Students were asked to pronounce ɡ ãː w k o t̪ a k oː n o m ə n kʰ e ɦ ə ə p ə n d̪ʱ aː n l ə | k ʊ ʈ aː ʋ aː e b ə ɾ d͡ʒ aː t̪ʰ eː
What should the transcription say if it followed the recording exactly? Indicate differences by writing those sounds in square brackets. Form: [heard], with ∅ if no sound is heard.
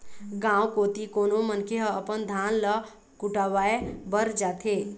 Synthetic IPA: ɡ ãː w k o t̪ [i] k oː n o m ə n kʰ e ɦ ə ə p ə n d̪ʱ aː n l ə | k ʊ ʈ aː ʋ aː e b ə ɾ d͡ʒ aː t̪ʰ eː